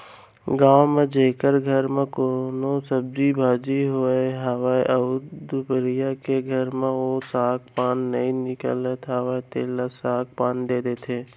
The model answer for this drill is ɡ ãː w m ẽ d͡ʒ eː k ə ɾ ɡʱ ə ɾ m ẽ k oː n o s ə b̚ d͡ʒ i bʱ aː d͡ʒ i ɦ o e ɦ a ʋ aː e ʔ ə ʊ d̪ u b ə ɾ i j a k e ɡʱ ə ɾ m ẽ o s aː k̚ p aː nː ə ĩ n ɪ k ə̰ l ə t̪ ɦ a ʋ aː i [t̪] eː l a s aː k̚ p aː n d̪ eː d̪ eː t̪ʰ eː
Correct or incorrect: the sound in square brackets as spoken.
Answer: correct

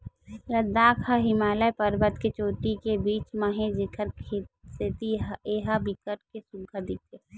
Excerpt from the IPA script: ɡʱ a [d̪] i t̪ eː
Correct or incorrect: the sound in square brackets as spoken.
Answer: correct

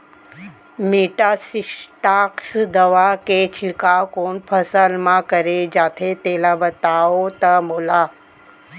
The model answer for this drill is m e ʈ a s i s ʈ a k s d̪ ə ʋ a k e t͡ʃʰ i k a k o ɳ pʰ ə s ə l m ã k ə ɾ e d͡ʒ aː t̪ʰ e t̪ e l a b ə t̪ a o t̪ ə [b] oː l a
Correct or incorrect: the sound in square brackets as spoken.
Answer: incorrect: m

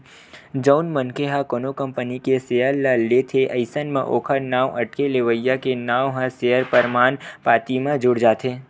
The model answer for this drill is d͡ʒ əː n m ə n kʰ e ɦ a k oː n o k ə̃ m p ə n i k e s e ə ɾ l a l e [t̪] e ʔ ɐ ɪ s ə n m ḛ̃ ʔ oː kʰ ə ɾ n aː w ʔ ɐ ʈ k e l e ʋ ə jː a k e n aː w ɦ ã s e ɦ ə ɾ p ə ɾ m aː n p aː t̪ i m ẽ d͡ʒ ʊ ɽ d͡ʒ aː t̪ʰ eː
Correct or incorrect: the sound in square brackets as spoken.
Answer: incorrect: t̪ʰ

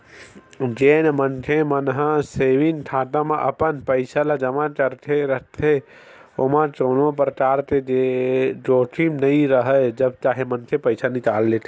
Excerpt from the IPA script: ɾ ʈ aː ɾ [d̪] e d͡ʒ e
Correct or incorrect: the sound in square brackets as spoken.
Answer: incorrect: t̪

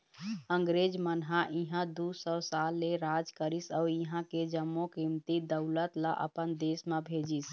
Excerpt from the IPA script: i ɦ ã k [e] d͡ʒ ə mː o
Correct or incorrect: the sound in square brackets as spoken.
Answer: correct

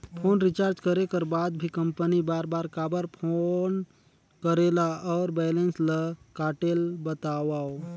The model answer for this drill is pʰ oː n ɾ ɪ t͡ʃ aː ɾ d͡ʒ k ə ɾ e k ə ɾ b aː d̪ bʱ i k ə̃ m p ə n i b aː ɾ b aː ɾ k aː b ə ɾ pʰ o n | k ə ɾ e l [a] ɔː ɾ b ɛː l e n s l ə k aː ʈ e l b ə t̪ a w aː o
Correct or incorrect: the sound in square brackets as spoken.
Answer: correct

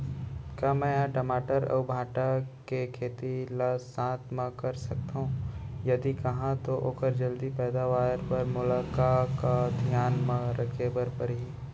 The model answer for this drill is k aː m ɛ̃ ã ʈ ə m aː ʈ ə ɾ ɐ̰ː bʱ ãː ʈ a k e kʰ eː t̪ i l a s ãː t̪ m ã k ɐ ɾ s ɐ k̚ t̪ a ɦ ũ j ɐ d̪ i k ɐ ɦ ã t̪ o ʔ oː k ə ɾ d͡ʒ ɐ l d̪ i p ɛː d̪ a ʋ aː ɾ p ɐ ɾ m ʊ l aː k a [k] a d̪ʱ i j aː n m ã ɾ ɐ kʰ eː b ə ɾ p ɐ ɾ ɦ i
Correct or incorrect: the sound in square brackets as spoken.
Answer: correct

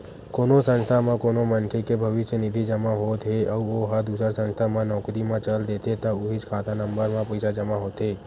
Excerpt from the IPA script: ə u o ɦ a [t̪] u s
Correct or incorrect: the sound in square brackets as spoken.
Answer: incorrect: d̪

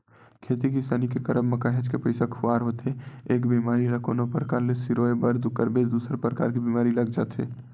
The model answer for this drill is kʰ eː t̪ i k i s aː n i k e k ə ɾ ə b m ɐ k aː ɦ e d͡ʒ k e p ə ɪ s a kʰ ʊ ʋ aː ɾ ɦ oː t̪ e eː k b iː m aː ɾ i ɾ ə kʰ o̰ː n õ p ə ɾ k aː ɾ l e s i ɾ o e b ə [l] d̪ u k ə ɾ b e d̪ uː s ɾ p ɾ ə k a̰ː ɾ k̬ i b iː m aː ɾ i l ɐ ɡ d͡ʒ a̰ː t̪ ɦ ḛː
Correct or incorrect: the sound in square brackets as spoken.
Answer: incorrect: ɾ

